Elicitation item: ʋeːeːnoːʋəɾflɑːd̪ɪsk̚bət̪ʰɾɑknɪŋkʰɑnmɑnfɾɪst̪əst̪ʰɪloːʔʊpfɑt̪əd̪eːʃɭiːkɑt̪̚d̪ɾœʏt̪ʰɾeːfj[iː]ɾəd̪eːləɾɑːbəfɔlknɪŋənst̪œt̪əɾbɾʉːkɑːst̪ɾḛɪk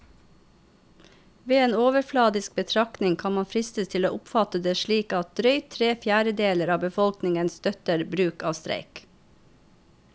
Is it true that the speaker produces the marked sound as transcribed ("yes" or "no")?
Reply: no